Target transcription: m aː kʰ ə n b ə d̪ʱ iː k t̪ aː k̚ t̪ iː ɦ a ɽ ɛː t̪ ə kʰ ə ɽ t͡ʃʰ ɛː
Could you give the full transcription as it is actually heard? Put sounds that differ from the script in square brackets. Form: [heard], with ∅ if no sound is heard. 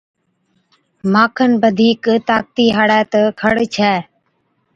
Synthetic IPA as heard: m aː kʰ ə n b ə d̪ʱ iː k t̪ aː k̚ t̪ iː ɦ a ɽ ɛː t̪ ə kʰ ə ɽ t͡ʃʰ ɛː

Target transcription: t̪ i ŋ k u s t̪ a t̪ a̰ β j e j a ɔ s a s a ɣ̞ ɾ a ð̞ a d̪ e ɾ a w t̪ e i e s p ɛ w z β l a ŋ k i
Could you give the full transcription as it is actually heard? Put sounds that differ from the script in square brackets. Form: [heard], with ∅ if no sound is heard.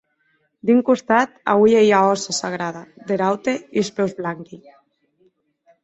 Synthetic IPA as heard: [d̪] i ŋ k u s t̪ a t̪ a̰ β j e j a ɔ s a s a ɣ̞ ɾ a ð̞ a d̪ e ɾ a w t̪ e i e s p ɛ w z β l a ŋ k i

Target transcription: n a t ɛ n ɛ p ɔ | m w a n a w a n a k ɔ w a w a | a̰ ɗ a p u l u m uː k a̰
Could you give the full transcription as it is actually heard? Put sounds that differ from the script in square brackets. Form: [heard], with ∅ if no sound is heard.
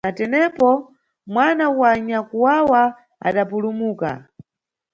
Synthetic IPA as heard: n a t ɛ n ɛ p ɔ | m w a n a w a [ɲ] a k [u] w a w a | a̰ ɗ a p u l u m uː k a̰

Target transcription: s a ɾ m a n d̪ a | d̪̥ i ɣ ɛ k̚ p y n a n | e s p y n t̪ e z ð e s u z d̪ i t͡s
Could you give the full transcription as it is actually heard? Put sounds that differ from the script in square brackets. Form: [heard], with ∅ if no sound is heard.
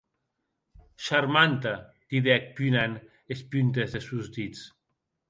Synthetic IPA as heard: [ʃ] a ɾ m a n [t̪] a | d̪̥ i [ð] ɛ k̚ p y n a n | e s p y n t̪ e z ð e s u z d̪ i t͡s

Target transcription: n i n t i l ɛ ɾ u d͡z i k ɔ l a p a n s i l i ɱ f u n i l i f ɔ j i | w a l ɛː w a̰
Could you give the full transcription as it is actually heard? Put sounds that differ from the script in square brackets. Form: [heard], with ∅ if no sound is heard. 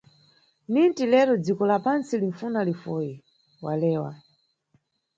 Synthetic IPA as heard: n i n t i l ɛ ɾ [ɔ] d͡z i k ɔ l a p a n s i l i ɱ f u n [a] l i f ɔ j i | w a l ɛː w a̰

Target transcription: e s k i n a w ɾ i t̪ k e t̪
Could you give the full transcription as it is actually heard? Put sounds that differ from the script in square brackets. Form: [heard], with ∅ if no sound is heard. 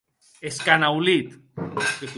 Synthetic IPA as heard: e s k [a] n a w [l] i t̪ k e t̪

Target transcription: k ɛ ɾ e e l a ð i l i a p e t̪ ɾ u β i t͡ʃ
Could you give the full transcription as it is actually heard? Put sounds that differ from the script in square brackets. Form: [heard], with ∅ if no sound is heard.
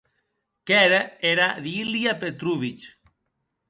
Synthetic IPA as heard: k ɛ ɾ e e [ɾ] a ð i l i a p e t̪ ɾ u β i t͡ʃ

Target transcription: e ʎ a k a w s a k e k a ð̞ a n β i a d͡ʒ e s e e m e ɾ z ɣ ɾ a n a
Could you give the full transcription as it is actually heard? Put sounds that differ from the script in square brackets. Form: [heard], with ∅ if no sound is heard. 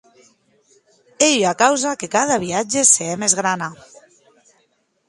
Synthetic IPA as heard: e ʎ a k a w [z] a k e k a ð̞ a [∅] β i a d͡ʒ e s e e m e [∅] z ɣ ɾ a n a

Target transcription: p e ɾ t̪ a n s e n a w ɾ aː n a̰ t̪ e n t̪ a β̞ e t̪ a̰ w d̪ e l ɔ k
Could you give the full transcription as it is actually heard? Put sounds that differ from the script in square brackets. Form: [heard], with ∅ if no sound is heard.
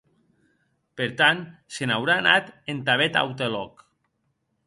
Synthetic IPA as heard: p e ɾ t̪ a n s e n a w ɾ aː n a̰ t̪ e n t̪ a β̞ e t̪ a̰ w [t̪] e l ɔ k

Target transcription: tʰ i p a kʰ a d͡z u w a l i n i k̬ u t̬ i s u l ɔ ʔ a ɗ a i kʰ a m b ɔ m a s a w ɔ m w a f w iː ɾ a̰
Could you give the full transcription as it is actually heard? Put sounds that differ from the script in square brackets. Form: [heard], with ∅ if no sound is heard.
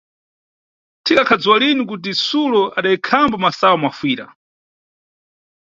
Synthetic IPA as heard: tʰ i [k] a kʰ a d͡z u w a l i n i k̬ u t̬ i s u l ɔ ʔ a ɗ a i kʰ a m b ɔ m a s a w ɔ m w a f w iː ɾ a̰

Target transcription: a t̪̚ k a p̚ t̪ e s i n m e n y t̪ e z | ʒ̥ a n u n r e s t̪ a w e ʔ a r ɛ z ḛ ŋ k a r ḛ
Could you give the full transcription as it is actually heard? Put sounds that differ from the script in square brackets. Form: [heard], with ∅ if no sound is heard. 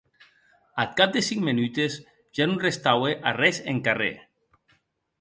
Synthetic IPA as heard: a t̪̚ k a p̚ [d̪] e s i [ŋ] m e n y t̪ e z | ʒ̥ a n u n r e s t̪ a w e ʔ a r ɛ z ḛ ŋ k a r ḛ

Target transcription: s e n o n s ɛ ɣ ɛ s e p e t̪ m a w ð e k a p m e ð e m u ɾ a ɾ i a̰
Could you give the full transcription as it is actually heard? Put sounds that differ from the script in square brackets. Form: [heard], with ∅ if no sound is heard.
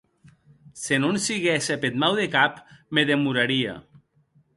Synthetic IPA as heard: s e n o n s [i] ɣ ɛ s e p e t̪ m a w ð e k a p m e ð e m u ɾ a ɾ i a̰

